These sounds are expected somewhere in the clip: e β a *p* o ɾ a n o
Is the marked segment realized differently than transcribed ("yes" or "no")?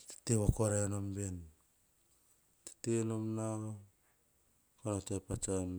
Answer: yes